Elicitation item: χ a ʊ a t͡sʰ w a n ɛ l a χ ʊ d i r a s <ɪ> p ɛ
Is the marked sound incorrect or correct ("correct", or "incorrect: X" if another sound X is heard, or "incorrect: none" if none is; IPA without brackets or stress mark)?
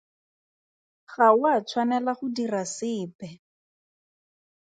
incorrect: ɪː